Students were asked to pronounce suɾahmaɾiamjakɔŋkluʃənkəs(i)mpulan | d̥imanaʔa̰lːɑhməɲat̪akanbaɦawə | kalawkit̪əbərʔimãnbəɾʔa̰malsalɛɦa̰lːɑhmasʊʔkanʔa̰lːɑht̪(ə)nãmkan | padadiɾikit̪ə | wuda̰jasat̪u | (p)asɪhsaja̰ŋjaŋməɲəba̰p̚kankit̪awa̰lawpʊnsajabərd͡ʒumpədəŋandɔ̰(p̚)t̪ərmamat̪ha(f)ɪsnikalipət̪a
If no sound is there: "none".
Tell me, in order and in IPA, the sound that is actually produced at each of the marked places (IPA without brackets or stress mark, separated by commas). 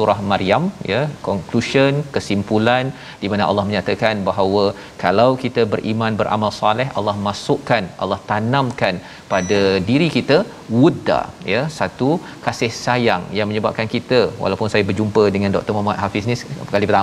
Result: i, a, k, k̚, f